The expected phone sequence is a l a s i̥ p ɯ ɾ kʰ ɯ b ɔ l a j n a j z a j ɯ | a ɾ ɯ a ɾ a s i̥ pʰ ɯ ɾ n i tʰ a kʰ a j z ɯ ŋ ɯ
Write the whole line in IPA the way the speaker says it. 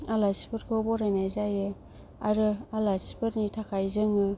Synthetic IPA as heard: a l a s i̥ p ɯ ɾ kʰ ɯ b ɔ ɾ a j n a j z a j ɯ | a ɾ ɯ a l a s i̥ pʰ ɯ ɾ n i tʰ a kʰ a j z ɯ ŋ ɯ